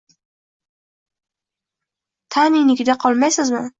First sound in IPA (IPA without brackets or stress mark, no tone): t̪ʰ